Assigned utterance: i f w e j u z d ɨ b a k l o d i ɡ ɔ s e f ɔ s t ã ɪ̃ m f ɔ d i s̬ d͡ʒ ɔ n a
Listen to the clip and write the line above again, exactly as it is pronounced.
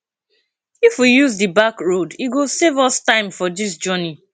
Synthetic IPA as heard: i f w i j u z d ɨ b a k ɹ o d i ɡ o s e v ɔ s t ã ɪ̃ m f ɔ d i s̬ d͡ʒ ɔ n i